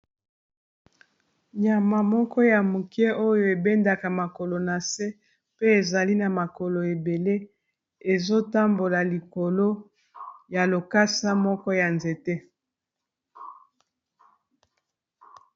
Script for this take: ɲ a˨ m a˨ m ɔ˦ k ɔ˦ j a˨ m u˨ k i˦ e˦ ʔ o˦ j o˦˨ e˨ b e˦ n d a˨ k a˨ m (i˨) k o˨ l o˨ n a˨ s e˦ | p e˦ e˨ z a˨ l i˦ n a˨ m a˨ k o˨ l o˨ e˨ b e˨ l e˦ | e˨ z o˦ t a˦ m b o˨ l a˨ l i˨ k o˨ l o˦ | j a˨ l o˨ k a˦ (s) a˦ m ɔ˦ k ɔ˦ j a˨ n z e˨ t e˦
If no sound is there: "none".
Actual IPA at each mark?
a˨, s

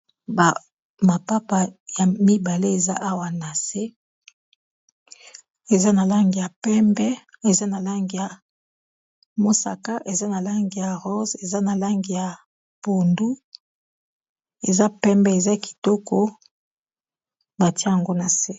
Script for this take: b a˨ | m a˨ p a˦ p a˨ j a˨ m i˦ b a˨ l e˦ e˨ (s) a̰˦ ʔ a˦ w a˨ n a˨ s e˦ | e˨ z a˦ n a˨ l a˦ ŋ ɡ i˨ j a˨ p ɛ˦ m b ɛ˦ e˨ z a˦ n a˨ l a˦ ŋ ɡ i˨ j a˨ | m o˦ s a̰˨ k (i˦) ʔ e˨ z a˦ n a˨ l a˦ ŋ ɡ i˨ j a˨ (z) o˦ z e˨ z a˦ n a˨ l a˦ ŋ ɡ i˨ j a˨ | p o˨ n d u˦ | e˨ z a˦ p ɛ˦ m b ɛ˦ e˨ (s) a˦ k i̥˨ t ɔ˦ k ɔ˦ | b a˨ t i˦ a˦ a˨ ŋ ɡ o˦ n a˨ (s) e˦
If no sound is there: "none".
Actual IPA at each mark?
z, a˦, ʁ, z, s

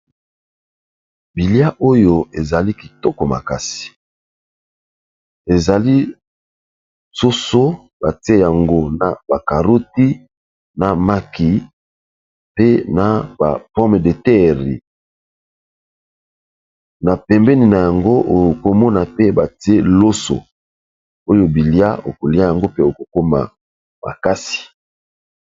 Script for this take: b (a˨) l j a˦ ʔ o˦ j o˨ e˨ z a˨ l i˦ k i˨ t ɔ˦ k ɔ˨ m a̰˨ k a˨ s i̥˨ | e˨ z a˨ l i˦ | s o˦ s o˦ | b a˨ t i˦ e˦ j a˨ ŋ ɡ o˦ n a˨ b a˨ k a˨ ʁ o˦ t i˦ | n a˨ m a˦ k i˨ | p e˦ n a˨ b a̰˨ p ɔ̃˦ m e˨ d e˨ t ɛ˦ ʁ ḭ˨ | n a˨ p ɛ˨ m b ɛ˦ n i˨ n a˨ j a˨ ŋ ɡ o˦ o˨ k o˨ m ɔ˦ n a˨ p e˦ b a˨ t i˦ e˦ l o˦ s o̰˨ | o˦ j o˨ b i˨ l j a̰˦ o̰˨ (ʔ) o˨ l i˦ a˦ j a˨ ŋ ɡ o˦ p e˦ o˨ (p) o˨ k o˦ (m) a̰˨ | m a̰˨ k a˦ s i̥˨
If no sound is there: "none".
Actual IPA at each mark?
i˨, k, k, m

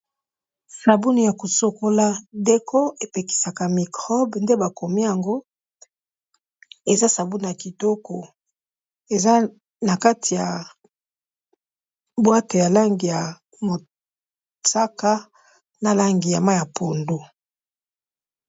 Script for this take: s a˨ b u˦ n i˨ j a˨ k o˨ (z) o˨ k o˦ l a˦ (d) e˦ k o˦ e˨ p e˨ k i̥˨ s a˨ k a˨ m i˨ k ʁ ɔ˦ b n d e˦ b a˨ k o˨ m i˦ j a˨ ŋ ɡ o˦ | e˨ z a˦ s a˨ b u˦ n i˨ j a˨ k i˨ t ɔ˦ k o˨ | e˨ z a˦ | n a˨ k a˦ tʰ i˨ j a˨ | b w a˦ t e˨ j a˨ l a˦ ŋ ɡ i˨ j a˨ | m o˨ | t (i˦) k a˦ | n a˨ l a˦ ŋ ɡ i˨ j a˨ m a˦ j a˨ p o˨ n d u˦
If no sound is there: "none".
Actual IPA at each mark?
s, d, a˦

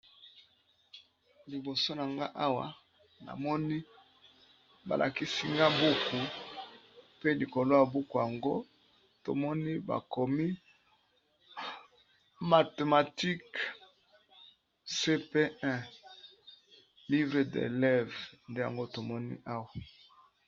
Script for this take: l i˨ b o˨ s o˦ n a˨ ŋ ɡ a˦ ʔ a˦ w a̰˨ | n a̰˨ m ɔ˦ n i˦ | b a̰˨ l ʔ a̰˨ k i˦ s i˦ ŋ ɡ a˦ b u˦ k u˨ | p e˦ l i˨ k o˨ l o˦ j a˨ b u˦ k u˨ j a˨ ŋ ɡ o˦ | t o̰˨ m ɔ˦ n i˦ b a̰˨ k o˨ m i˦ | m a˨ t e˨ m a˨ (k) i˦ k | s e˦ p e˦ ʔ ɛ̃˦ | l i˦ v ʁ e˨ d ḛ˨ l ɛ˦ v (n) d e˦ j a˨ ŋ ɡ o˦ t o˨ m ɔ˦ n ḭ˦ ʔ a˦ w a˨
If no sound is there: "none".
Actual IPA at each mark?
t, n

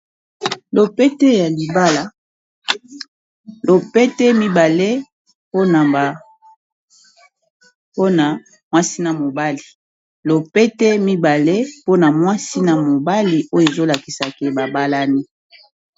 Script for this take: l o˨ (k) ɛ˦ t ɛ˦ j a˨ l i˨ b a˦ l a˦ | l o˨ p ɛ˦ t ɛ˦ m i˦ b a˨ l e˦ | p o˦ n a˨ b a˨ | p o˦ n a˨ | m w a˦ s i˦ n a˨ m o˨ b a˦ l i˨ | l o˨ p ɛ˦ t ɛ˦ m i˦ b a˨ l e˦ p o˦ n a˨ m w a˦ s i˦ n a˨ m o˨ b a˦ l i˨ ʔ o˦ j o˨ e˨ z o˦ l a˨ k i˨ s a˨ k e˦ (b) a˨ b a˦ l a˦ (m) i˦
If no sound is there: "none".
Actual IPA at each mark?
p, b, n

